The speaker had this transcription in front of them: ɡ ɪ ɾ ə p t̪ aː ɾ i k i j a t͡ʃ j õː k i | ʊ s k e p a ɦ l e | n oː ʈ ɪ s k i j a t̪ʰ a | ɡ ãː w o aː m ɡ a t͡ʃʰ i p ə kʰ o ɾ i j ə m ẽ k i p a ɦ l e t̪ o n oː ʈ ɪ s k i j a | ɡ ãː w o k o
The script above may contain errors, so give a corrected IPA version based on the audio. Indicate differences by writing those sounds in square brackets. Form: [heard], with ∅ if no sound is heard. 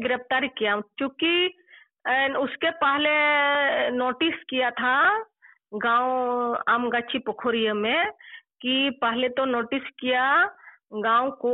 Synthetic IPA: ɡ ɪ ɾ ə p t̪ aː ɾ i k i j a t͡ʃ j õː k i | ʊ s k e p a ɦ l e | n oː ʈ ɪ s k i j a t̪ʰ a | ɡ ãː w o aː m ɡ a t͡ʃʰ i p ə kʰ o ɾ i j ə m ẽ k i p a ɦ l e t̪ o n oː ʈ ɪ s k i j a | ɡ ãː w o k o